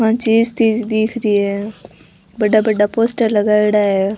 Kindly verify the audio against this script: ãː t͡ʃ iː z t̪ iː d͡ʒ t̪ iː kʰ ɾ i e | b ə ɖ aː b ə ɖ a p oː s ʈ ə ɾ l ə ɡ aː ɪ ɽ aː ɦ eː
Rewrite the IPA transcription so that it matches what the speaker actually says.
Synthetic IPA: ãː t͡ʃ iː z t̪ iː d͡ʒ d̪ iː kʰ ɾ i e | b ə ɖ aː b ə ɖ a p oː s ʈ ə ɾ l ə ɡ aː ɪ ɽ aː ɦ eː